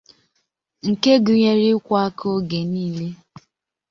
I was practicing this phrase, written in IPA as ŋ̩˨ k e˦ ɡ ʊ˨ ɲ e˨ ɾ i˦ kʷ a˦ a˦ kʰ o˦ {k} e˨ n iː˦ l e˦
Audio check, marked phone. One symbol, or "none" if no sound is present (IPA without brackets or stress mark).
ɡ